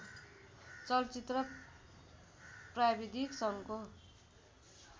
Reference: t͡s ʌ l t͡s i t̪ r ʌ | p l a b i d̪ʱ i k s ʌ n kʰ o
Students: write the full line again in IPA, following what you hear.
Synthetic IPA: t͡s ʌ l t͡s i t̪ r ʌ | p r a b i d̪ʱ i k s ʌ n k o